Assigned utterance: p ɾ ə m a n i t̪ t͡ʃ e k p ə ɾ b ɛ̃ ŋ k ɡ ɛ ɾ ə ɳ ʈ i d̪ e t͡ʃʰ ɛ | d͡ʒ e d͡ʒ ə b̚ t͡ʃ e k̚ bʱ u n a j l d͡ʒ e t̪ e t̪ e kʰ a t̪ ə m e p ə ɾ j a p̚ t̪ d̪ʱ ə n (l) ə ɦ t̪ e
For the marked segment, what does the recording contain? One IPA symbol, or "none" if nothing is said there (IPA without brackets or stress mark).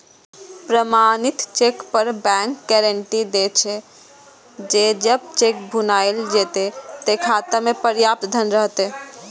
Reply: ɾ